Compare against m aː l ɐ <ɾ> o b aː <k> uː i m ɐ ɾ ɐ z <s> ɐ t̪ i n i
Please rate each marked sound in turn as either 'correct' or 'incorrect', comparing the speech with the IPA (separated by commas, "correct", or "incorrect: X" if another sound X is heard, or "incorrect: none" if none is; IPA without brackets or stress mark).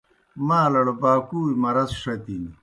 incorrect: ɽ, correct, incorrect: ʂ